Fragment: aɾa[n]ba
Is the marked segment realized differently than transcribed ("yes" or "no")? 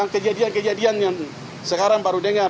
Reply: yes